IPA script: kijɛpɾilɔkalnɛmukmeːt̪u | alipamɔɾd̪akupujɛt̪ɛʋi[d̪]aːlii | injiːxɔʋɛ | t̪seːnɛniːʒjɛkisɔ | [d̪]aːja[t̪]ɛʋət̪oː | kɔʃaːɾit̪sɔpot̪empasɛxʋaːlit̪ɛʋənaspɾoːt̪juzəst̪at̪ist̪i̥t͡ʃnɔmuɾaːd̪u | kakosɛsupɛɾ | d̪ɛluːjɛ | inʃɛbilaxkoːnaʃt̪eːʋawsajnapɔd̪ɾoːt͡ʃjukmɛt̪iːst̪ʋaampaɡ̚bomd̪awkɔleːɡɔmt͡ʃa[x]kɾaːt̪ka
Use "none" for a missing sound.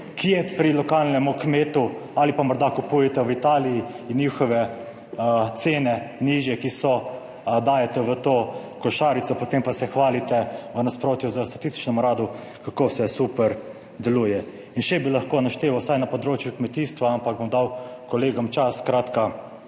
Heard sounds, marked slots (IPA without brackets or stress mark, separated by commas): t̪, d̪, t̪, s